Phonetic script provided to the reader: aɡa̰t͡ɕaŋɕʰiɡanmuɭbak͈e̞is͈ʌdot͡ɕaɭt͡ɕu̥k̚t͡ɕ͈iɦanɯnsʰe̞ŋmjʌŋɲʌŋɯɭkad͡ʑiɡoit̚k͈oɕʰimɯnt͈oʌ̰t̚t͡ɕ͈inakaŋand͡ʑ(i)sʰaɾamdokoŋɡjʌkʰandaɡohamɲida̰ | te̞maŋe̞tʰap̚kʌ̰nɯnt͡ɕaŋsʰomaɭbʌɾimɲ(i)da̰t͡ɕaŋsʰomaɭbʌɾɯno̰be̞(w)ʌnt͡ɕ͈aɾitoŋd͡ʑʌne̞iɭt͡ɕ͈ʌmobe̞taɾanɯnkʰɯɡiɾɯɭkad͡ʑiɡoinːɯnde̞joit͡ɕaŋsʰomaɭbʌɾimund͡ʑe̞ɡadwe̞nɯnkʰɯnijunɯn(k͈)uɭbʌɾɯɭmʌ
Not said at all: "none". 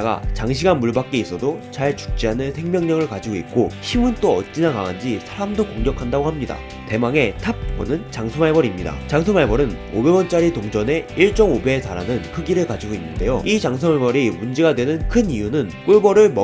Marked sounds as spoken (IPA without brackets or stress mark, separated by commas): i, i, w, k͈